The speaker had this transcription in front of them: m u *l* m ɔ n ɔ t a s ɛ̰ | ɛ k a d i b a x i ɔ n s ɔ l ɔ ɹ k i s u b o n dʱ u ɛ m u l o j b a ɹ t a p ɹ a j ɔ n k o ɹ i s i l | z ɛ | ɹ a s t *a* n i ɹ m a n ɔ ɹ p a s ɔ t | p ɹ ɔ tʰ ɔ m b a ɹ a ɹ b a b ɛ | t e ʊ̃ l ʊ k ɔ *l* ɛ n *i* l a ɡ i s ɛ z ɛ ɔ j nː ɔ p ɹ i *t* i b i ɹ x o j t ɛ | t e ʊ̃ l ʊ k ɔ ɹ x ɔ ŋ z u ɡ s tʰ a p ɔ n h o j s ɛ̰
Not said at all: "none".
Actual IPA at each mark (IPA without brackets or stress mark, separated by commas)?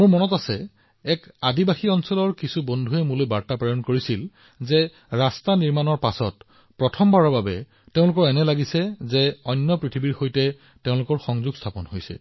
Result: ɹ, a, ɹ, ɛ, tʰ